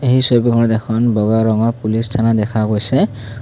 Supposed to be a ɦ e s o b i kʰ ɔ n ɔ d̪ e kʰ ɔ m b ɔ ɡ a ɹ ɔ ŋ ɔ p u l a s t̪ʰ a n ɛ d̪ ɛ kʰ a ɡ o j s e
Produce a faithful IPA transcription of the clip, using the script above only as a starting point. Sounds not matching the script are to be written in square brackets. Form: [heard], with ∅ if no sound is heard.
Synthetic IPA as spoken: [e] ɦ [i] s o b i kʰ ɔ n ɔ d̪ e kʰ ɔ [n] b ɔ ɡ a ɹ ɔ ŋ ɔ p u l [i] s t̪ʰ a n [a] d̪ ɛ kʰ a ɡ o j s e